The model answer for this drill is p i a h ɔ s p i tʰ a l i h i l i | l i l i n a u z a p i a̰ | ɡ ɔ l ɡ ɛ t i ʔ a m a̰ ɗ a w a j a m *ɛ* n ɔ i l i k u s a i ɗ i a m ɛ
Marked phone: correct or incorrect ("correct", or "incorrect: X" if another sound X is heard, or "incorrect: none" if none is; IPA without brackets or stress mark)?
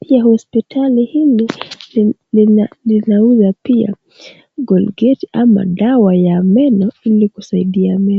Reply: correct